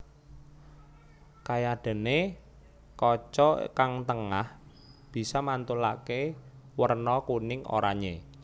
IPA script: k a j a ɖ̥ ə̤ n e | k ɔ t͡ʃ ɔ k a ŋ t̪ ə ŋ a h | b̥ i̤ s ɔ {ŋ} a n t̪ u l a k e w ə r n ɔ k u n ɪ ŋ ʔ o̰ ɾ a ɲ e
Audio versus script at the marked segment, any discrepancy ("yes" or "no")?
yes